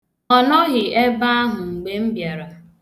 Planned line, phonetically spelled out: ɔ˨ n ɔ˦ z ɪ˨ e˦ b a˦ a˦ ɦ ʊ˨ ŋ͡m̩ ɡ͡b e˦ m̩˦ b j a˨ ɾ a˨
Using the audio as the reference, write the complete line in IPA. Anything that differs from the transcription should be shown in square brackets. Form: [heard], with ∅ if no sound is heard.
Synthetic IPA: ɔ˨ n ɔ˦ [ɣ] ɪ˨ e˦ b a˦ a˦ ɦ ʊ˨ ŋ͡m̩ ɡ͡b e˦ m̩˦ b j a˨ ɾ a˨